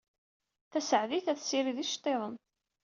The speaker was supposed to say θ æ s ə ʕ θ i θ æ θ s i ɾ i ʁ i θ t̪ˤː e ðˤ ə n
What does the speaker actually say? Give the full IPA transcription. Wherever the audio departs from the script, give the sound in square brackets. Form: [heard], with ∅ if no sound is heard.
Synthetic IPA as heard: θ æ s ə ʕ [ð] i θ æ θ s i ɾ i [ð] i [ʃ] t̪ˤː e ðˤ ə n